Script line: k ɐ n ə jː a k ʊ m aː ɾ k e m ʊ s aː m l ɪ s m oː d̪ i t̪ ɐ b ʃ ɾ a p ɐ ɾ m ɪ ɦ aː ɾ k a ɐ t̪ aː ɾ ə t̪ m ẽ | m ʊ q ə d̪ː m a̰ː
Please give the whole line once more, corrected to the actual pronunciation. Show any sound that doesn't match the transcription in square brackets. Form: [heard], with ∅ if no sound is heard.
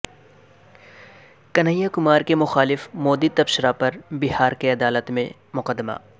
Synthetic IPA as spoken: k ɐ n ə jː a k ʊ m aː ɾ k e m ʊ [x] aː [∅] l ɪ [f] m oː d̪ i t̪ ɐ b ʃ ɾ a p ɐ ɾ [b] ɪ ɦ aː ɾ k [e] ɐ [d̪] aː [l] ə t̪ m ẽ | m ʊ q ə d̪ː m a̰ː